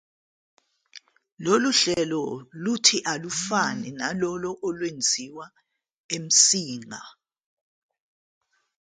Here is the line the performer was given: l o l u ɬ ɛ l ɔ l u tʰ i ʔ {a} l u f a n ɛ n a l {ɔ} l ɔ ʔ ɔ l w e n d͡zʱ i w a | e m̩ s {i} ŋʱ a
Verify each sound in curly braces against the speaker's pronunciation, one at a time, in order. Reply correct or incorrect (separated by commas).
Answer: correct, correct, incorrect